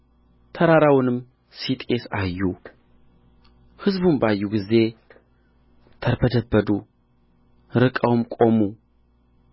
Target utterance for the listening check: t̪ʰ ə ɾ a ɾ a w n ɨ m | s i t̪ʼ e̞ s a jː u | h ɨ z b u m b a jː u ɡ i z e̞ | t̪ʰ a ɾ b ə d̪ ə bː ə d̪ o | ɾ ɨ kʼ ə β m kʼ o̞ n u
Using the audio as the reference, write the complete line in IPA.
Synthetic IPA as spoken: t̪ʰ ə ɾ a ɾ a w n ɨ m | s i t̪ʼ e̞ s a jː u | h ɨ z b u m b a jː u ɡ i z e̞ | t̪ʰ ə ɾ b ə d̪ ə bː ə d̪ u | ɾ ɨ kʼ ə w m kʼ o̞ m u

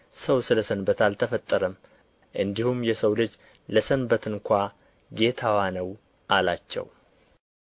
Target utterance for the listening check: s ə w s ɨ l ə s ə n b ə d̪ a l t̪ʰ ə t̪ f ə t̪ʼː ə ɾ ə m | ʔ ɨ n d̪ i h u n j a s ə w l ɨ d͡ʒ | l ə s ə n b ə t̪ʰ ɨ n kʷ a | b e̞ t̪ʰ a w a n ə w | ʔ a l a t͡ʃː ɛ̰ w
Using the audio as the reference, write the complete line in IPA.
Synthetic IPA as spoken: s ə w s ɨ l ə s ə n b ə t̪ a l t̪ʰ ə f ə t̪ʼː ə ɾ ə m | ʔ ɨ n d̪ i h u m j ɛ s ə w l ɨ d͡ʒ | l ə s ə n b ə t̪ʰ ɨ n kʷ a | ɡ e̞ t̪ʰ a w a n ə w | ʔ a l a t͡ʃː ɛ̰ w

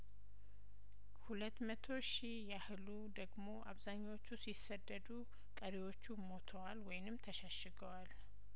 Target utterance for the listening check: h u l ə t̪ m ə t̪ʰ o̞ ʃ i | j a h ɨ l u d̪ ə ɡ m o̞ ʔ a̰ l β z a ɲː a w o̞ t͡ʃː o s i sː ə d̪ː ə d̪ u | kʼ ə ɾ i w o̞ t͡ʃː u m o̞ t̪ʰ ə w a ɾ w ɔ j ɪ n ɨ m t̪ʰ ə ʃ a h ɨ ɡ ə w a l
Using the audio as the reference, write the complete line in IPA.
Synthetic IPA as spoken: h u l ə t̪ m ə t̪ʰ o̞ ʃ i | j a h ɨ l u d̪ ə ɡ m o̞ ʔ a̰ β z a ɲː a w o̞ t͡ʃː u s i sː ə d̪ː ə d̪ u | kʼ ə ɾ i w o̞ t͡ʃː u m o̞ t̪ʰ ə w a l w ɔ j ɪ n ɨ m t̪ʰ ə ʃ a ʃ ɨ ɡ ə w a l

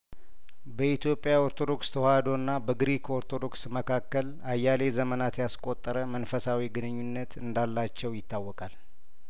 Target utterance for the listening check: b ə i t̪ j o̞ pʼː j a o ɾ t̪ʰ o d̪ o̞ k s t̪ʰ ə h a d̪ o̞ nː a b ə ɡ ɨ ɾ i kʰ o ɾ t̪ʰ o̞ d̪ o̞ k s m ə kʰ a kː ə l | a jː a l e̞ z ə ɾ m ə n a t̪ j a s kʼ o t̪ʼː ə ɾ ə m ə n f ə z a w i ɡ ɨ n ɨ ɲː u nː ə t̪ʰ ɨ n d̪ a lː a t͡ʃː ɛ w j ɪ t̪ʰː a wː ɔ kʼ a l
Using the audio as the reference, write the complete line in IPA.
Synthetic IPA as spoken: b ə i t̪ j o̞ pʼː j a o ɾ t̪ʰ o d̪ o̞ k s t̪ʰ ə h a d̪ o̞ nː a b ə ɡ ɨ ɾ i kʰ o ɾ t̪ʰ o̞ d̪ o̞ k s m ə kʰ a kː ə l | a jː a l e̞ z ə m ə n a t̪ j a s kʼ o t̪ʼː ə ɾ ə m ə n f ə s a w i ɡ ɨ n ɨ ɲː u nː ə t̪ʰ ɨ n d̪ a lː a t͡ʃː ɛ w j ɪ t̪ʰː a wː ɔ kʼ a l

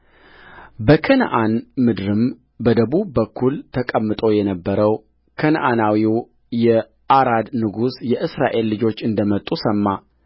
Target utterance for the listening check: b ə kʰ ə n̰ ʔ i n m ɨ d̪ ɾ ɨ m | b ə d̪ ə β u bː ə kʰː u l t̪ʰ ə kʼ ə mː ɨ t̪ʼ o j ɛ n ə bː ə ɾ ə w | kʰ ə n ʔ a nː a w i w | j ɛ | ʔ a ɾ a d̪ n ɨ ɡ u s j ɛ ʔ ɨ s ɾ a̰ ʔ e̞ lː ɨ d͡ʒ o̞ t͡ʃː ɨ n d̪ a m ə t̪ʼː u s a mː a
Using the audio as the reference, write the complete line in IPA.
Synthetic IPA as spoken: b ə kʰ ə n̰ ʔ a n m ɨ d̪ ɾ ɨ m | b ə d̪ ə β u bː ə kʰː u l t̪ʰ ə kʼ ə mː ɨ t̪ʼ o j ɛ n ə bː ə ɾ ə w | kʰ ə n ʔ a n a w i w | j ɛ | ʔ a ɾ a d̪ n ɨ ɡ u s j ɛ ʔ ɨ s ɾ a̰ ʔ e̞ lː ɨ d͡ʒ o̞ t͡ʃː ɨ n d̪ ə m ə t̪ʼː u s ə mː a

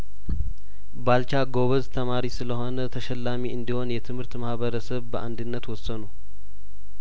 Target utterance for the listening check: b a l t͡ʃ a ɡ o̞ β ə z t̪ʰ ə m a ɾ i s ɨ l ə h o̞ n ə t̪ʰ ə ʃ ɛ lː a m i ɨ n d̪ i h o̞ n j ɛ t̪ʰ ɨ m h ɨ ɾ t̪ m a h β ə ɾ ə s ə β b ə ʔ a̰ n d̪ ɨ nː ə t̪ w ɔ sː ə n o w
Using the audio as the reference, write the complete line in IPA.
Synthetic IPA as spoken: b a l t͡ʃ a ɡ o̞ β ə z t̪ʰ ə m a ɾ i s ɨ l ə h o̞ n ə t̪ʰ ə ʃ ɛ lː a m i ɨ n d̪ i h o̞ n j ɛ t̪ʰ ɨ m h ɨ ɾ t̪ m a h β ə ɾ ə s ə β b ə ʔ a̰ n d̪ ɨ nː ə t̪ w ɔ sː ə n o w

